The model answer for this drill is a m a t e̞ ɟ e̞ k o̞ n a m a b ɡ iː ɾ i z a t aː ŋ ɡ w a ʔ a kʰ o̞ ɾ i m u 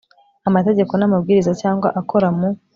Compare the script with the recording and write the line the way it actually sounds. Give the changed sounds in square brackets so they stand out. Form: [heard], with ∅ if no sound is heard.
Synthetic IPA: a m a t e̞ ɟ e̞ k o̞ n a m a b ɡ iː ɾ i z a [c] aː ŋ ɡ w a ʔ a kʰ o̞ ɾ [a] m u

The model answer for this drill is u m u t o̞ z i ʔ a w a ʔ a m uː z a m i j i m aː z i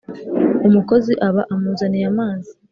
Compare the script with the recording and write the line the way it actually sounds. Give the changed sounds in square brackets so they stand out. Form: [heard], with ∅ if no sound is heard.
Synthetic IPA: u m u [k] o̞ z i ʔ a [β] a ʔ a m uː z a [n] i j [a] m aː z i

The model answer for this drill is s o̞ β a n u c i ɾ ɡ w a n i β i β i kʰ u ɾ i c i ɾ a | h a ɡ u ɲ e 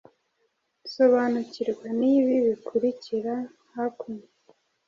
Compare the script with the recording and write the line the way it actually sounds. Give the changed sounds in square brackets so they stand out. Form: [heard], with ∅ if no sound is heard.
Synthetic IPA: s o̞ β a n u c i ɾ ɡ w a n i β i β i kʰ u ɾ i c i ɾ a | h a [k] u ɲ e

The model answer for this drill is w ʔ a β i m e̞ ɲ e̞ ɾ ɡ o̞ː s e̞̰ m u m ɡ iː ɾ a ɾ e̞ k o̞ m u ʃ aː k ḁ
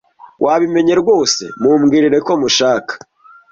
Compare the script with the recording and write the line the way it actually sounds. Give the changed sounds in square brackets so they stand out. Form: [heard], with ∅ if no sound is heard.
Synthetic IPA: w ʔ a β i m e̞ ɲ e̞ ɾ ɡ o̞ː s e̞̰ m u m ɡ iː ɾ [i] ɾ e̞ k o̞ m u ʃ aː k ḁ

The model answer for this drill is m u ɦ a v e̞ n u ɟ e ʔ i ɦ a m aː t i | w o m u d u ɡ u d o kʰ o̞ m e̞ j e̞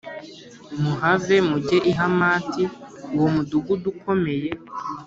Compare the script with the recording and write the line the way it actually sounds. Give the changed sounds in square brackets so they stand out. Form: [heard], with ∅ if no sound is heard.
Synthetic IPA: m u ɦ a v e̞ [m] u ɟ e ʔ i ɦ a m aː t i | w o m u d u ɡ u d [u] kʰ o̞ m e̞ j e̞

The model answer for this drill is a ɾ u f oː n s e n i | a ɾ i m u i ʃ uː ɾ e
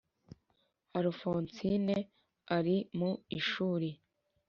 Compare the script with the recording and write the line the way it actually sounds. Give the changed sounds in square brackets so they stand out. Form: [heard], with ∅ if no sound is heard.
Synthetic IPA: a ɾ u f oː n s [i] n [e] | a ɾ i m u i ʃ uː ɾ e

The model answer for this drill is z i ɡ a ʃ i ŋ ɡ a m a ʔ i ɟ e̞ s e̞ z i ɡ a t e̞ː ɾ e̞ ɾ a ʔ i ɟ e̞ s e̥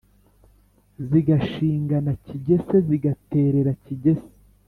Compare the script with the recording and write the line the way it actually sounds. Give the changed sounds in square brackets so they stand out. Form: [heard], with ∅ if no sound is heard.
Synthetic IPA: z i ɡ a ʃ [iː] ŋ ɡ a [n] a [c] i ɟ e̞ s e̞ z i ɡ a t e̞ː ɾ e̞ ɾ a [c] i ɟ e̞ s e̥

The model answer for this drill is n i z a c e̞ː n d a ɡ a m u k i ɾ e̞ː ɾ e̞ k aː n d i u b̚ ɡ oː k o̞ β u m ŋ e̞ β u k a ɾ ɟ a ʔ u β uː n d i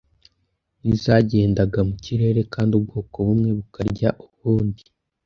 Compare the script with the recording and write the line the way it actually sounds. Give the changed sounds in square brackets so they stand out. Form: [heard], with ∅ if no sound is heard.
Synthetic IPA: n i z a [ɟ] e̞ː n d a ɡ a m u [c] i ɾ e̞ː ɾ e̞ k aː n d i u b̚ ɡ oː k o̞ β u m ŋ e̞ β u k a ɾ ɟ a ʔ u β uː n d i

